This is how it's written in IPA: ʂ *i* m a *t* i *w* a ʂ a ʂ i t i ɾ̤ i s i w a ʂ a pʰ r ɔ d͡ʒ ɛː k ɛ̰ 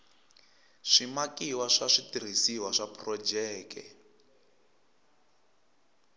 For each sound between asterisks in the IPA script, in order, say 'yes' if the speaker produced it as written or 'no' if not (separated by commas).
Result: yes, no, yes